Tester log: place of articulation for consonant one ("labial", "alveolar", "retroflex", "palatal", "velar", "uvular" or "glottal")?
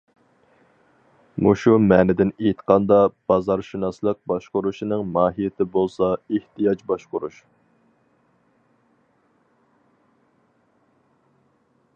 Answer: labial